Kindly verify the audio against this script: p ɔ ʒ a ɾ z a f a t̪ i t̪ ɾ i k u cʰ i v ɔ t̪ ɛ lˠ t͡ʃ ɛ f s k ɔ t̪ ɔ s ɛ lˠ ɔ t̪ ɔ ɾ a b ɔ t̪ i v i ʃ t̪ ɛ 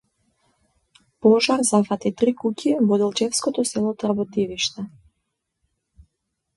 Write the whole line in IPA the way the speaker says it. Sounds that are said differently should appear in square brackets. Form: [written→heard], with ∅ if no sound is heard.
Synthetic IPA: p ɔ ʒ a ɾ z a f a t̪ i t̪ ɾ i k u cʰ i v ɔ [t̪→d̪] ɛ lˠ t͡ʃ ɛ f s k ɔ t̪ ɔ s ɛ lˠ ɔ t̪ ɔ ɾ a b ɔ t̪ i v i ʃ t̪ ɛ